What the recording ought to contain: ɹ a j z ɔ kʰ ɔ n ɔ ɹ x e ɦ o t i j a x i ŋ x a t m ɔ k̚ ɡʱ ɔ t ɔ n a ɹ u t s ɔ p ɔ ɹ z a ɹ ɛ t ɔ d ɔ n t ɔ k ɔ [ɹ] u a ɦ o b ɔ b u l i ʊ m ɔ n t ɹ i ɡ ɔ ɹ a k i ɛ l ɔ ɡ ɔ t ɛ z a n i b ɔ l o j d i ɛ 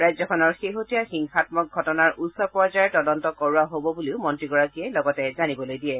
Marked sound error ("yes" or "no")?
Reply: no